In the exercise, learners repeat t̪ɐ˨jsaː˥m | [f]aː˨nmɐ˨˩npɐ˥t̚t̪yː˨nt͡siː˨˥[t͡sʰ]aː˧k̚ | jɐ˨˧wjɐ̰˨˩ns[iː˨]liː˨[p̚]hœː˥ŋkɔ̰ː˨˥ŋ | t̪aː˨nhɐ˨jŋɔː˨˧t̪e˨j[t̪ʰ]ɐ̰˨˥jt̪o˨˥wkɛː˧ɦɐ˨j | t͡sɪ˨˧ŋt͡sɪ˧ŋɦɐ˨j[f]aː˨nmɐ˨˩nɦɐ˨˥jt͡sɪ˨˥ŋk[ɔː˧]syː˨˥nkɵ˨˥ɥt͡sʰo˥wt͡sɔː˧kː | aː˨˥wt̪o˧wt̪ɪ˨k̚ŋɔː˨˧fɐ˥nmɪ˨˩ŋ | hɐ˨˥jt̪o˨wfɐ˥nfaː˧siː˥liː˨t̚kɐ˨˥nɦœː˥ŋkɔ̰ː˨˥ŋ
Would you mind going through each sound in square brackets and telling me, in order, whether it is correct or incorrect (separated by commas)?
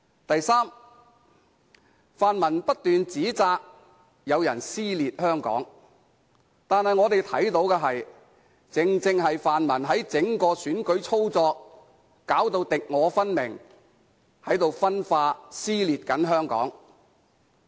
correct, incorrect, incorrect, incorrect, correct, correct, correct